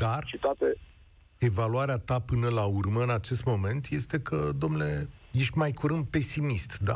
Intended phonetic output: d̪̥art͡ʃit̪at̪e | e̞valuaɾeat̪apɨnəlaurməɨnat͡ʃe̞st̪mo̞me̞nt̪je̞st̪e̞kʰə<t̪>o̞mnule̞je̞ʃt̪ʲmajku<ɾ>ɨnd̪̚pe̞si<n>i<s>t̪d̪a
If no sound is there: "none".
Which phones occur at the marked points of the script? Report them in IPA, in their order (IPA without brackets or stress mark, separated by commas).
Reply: d̪, ɾ, m, s